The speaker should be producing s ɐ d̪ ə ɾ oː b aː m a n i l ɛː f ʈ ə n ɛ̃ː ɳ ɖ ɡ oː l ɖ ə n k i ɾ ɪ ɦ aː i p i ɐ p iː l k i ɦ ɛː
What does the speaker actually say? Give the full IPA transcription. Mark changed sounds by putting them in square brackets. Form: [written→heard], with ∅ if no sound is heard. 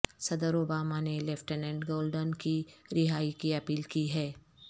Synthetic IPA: s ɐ d̪ ə ɾ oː b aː m a n [i→e] l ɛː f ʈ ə n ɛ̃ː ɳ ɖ ɡ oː l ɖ ə n k i ɾ ɪ ɦ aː i [p→k] i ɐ p iː l k i ɦ ɛː